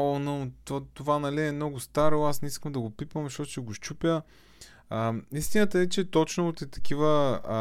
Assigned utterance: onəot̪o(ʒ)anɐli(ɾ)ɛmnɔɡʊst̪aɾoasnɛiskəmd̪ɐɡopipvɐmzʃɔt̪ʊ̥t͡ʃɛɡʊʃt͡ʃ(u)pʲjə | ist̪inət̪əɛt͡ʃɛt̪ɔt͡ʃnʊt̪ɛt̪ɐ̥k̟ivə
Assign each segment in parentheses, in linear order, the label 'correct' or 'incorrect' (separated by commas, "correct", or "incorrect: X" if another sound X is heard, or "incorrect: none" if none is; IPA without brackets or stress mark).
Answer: incorrect: v, incorrect: none, correct